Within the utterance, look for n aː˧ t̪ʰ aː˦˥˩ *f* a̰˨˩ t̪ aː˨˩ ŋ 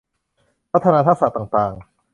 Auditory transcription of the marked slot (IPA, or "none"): s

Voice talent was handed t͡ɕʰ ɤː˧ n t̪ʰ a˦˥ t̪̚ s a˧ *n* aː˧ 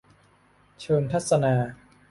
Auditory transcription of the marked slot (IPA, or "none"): n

